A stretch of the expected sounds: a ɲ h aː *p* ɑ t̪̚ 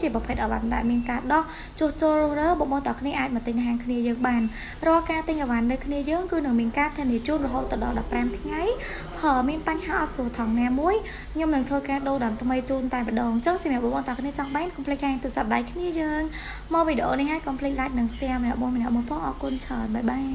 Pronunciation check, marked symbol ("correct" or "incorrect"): incorrect